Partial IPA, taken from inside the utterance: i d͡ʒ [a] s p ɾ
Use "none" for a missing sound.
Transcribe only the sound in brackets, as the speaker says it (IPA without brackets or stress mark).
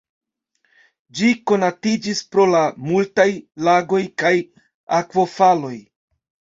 i